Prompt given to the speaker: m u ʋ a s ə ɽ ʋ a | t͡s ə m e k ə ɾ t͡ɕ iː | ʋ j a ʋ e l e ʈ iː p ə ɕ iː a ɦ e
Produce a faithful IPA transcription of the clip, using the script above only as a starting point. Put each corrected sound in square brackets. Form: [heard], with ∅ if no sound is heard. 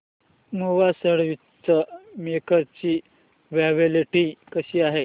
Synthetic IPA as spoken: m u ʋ a s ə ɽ ʋ [i] | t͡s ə m e k ə ɾ t͡ɕ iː | ʋ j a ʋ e l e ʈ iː [k] ə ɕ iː a ɦ e